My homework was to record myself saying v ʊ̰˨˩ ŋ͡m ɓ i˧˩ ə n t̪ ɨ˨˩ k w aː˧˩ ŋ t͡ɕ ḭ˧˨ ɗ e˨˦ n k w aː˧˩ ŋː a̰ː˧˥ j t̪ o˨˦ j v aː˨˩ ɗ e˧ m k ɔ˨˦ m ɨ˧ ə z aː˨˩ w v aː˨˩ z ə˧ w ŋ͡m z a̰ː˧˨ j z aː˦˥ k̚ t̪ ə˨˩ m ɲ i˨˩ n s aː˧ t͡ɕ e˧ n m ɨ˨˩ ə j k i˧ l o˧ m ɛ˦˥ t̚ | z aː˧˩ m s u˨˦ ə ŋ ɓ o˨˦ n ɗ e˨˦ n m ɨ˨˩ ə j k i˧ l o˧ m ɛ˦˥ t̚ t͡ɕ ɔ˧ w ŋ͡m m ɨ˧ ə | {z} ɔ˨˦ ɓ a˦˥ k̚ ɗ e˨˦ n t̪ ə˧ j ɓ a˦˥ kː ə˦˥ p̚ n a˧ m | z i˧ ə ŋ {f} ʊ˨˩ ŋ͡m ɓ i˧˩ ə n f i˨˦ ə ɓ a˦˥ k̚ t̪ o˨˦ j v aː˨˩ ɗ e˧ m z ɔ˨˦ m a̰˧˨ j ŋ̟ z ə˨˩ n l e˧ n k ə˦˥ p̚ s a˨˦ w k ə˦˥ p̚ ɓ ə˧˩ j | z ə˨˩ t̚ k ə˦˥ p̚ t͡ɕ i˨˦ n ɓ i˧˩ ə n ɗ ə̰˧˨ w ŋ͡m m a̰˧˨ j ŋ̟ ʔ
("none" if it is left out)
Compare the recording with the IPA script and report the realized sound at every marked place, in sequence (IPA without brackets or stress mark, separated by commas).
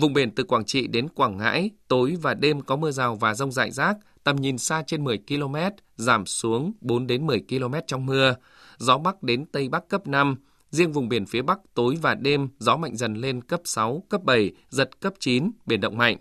z, v